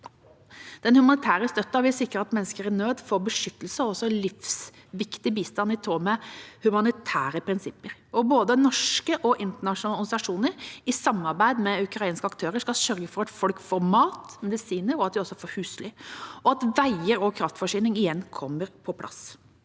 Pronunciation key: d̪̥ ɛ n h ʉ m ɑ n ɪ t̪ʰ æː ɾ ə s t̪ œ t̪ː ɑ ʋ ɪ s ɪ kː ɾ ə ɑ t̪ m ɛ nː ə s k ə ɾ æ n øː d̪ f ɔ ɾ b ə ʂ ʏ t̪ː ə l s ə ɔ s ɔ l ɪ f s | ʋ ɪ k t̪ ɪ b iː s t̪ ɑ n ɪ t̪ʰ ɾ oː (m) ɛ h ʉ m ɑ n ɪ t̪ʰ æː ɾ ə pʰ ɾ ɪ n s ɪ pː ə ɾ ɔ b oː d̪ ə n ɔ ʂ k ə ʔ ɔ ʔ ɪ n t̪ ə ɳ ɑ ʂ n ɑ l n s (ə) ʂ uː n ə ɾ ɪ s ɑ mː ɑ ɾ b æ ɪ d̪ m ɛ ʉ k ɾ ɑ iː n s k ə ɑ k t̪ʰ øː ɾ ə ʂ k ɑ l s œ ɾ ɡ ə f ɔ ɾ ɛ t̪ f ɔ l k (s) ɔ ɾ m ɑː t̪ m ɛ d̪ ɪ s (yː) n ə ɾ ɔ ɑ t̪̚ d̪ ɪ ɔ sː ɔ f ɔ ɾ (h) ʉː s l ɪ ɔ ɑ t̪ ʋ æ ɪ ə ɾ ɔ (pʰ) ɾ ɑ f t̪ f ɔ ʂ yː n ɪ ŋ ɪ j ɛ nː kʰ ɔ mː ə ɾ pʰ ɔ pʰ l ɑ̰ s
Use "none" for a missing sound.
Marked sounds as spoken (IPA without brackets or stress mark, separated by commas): m, ɑ, f, iː, h, kʰ